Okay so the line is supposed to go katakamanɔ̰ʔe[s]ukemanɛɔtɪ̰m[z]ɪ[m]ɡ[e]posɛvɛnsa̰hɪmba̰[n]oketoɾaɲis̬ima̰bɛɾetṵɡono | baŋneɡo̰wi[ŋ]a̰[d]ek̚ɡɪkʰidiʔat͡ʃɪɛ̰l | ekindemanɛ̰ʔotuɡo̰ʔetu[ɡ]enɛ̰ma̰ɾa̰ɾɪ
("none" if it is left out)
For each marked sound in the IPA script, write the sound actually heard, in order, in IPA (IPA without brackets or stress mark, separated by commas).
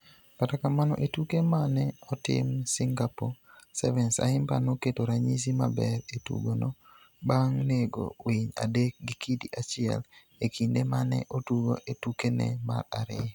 t, s, ŋ, a, n, ɲ, d, k